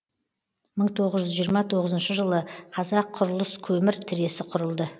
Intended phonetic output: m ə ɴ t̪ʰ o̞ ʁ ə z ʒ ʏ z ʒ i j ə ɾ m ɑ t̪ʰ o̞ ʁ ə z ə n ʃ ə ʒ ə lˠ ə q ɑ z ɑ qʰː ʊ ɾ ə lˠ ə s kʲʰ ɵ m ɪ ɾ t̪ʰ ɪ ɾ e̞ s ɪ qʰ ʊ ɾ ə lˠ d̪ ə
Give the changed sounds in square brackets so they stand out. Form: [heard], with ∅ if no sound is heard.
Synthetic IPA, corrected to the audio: m ə ɴ t̪ʰ o̞ ʁ ə z ʒ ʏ z ʒ i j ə ɾ m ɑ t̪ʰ o̞ ʁ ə z ə n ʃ ə ʒ ə lˠ ə [qʰ] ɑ z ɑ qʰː ʊ ɾ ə lˠ ə s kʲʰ ɵ m ɪ ɾ t̪ʰ ɪ ɾ e̞ s ɪ qʰ ʊ ɾ ə lˠ d̪ ə